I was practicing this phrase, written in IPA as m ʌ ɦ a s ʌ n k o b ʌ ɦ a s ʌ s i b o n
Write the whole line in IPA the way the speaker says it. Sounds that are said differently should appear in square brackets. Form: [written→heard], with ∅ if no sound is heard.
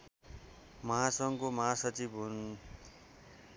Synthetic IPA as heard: m ʌ ɦ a s ʌ [n→ŋ] k o [b→m] ʌ ɦ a s ʌ [s→t͡s] i b [o→u] n